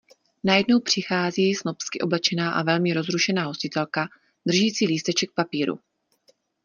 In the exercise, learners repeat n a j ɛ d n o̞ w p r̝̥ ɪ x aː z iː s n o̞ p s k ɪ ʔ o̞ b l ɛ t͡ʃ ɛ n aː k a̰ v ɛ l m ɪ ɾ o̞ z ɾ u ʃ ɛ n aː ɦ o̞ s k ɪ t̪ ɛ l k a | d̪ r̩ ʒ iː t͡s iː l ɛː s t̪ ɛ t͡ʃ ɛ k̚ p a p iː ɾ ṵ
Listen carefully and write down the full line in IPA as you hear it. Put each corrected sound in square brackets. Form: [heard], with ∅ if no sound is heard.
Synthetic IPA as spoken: n a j ɛ d n o̞ w p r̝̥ ɪ x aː z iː s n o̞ p s k ɪ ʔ o̞ b l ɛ t͡ʃ ɛ n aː [ʔ] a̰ v ɛ l m ɪ ɾ o̞ z ɾ u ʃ ɛ n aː ɦ o̞ s [c] ɪ t̪ ɛ l k a | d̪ r̩ ʒ iː t͡s iː l [iː] s t̪ ɛ t͡ʃ ɛ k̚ p a p iː ɾ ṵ